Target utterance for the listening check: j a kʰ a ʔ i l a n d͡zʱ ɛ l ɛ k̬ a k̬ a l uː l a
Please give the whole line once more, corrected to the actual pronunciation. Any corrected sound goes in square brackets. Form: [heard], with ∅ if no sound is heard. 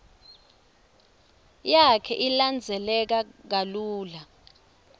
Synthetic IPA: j a kʰ [ɛ] ʔ i l a n d͡zʱ ɛ l ɛ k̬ a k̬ a l uː l a